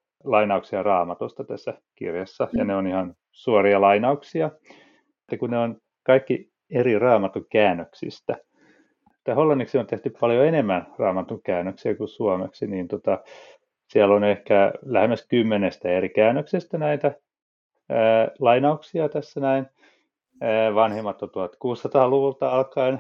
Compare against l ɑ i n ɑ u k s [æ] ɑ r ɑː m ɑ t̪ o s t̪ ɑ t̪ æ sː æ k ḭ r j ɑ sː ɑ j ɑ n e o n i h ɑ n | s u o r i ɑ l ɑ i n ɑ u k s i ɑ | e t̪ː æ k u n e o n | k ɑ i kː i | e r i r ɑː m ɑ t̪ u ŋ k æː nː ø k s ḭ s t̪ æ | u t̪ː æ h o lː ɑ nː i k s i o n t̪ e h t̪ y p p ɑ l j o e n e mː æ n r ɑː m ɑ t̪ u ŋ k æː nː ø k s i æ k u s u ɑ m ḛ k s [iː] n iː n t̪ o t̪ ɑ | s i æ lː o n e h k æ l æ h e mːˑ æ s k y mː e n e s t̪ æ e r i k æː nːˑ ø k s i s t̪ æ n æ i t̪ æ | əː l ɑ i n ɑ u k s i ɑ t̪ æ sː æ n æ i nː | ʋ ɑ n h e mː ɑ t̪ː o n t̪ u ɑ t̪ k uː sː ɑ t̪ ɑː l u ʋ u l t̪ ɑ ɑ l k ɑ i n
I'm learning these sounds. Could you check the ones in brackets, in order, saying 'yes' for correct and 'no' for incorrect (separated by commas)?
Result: no, no